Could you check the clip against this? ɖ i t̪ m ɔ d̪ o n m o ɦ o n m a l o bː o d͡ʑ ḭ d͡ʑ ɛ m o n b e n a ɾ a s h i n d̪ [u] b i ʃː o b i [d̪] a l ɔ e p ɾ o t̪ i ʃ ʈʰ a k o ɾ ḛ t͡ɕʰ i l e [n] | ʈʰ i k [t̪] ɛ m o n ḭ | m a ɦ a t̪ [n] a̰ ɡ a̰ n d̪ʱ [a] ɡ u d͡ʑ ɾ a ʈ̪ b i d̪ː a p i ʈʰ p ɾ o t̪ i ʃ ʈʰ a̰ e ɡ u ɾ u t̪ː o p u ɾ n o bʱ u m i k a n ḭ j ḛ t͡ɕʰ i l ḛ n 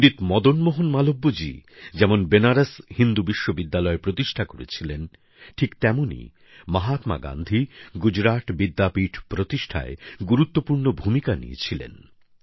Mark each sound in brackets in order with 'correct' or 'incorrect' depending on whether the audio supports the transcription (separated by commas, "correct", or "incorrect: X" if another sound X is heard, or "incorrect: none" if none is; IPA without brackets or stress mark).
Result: correct, incorrect: d̪ː, correct, correct, incorrect: m, incorrect: i